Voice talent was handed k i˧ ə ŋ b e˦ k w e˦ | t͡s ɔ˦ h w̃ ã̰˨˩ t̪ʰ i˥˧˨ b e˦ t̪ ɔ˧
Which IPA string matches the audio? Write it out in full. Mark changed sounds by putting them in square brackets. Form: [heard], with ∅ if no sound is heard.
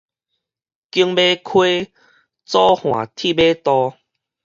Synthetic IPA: k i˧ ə ŋ b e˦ [kʰ] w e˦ | t͡s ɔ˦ h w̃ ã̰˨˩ t̪ʰ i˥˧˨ b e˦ t̪ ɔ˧